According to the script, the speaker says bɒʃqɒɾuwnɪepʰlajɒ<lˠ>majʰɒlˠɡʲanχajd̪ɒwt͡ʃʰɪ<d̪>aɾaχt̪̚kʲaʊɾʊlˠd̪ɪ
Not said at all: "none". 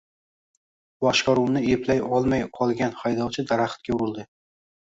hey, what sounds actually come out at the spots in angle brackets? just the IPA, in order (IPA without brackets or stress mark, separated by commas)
lˠ, d̪